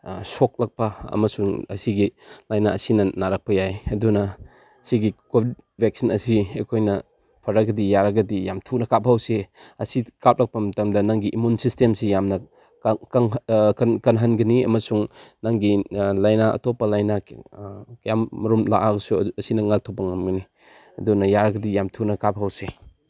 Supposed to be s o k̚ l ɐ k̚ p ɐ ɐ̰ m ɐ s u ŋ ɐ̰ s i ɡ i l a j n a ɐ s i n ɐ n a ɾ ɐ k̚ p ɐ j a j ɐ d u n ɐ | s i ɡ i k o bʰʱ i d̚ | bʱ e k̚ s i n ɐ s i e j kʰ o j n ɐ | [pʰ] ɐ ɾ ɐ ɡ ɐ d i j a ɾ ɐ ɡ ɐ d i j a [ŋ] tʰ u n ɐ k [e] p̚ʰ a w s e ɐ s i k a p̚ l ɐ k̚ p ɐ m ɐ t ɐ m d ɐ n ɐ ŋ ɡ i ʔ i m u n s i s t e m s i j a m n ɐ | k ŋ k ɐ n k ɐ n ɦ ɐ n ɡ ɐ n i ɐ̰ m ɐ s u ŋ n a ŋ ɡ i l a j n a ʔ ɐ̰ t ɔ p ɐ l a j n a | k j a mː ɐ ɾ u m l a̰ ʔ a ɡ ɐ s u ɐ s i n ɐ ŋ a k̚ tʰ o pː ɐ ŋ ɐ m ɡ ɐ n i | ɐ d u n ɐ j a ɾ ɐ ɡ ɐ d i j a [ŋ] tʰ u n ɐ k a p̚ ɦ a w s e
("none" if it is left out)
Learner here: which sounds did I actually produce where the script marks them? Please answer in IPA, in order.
pʰ, m, a, m

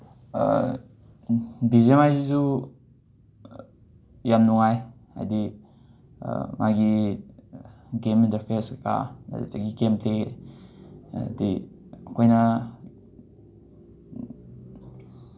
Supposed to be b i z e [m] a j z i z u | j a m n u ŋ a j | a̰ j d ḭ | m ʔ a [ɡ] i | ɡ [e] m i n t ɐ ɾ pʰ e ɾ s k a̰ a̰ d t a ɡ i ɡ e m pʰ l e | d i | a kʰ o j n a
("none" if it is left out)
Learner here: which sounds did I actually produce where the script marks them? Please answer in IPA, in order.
m, ɡ, e

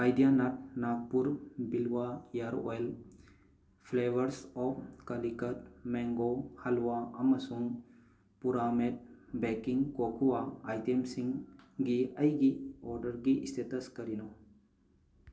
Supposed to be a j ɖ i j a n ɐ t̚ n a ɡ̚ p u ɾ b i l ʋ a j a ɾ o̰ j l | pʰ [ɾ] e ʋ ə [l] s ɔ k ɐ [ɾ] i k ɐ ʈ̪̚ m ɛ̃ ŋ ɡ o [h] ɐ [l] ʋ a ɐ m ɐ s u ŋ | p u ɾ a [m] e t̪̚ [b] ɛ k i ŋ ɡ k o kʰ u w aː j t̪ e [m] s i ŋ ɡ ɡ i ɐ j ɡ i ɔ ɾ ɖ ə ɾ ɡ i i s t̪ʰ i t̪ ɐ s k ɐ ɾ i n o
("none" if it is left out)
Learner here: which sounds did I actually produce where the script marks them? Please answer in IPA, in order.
l, ɾ, l, h, l, m, b, m

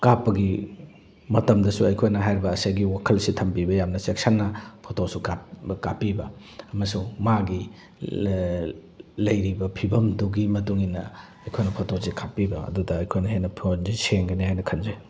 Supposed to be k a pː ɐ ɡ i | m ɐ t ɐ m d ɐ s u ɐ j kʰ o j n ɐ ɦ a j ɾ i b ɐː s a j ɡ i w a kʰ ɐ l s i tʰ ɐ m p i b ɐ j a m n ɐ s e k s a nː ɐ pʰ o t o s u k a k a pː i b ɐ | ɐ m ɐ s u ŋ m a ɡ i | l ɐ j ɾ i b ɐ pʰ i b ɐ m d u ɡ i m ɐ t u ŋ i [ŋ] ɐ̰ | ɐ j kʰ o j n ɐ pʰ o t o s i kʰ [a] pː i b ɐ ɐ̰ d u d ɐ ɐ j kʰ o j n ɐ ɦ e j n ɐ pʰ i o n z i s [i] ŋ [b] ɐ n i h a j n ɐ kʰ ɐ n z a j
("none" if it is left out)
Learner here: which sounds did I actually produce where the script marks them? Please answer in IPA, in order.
n, a, e, ɡ

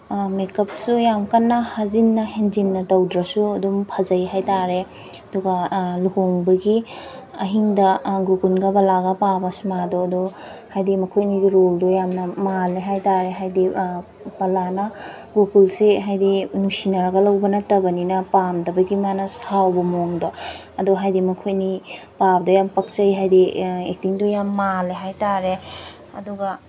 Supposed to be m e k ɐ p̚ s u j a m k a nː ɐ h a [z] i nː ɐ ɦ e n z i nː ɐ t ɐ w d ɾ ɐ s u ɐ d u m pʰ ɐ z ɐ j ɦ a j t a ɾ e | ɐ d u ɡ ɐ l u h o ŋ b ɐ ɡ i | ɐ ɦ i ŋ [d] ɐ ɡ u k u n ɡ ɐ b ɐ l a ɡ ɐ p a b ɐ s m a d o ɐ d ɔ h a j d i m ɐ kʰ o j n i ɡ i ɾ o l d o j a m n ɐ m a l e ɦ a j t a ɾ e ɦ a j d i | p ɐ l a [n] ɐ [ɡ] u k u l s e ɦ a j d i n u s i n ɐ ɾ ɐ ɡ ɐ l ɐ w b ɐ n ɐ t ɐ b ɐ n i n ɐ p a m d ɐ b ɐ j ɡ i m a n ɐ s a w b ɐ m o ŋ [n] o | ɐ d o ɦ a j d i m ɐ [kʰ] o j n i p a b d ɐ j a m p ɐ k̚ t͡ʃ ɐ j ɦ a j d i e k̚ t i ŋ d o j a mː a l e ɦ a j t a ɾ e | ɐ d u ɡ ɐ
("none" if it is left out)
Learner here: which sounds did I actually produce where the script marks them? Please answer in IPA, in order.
z, d, n, ɡ, d, kʰ

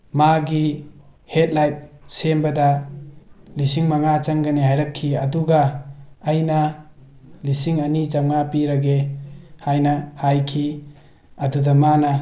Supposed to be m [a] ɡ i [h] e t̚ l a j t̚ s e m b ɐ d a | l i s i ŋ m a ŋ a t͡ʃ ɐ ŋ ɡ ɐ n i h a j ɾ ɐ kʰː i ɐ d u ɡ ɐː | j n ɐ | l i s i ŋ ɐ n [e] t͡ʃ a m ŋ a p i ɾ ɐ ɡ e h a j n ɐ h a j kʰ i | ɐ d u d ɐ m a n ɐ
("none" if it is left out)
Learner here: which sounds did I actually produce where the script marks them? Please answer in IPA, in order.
a, h, i

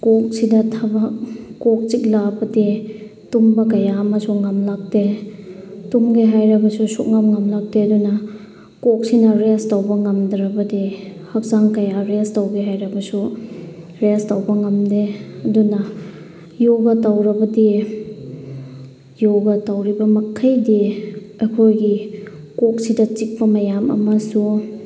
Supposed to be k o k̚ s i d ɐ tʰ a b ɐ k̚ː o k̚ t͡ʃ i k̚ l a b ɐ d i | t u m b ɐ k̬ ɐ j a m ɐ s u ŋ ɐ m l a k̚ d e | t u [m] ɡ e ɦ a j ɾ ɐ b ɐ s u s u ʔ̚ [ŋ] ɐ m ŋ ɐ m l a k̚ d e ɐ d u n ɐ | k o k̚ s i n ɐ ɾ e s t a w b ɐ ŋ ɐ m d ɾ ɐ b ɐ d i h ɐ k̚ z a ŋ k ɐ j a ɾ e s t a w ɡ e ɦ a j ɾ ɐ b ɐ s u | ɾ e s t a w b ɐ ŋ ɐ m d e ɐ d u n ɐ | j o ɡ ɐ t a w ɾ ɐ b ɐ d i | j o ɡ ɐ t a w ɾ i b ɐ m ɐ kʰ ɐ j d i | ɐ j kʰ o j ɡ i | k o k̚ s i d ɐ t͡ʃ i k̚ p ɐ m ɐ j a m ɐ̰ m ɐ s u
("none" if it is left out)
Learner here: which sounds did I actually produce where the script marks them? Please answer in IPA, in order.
m, ŋ

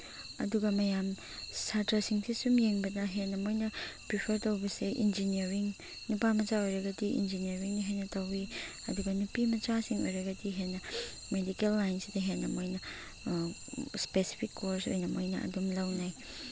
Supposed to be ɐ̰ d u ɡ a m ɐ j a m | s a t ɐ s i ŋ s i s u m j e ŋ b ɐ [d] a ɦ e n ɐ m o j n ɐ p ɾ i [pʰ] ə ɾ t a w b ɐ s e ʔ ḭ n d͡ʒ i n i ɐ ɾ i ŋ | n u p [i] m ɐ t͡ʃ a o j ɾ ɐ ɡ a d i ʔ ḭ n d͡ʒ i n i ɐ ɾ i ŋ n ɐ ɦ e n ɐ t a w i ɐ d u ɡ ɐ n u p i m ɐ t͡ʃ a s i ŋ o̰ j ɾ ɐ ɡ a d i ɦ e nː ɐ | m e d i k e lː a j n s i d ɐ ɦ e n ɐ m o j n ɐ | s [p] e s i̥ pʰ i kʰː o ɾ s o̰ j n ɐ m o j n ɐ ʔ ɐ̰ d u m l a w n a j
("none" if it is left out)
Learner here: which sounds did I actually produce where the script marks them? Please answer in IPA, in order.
d, pʰ, a, p

